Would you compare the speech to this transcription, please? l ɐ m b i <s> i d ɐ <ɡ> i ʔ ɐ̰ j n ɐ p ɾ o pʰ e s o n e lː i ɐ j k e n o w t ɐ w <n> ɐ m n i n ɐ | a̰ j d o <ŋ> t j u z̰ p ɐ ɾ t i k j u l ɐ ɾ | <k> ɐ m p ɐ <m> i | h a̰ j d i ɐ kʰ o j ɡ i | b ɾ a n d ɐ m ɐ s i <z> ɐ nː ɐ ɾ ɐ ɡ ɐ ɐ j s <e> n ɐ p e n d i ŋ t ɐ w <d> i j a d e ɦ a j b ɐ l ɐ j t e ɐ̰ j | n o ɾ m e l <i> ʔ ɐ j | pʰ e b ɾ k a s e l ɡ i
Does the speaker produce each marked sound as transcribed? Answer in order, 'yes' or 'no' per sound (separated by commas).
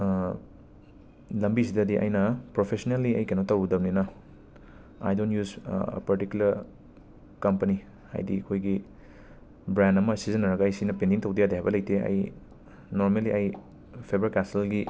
yes, no, no, no, yes, no, yes, no, yes, yes